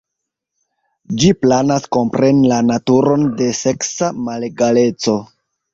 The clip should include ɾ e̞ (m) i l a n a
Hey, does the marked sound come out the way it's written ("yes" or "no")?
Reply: no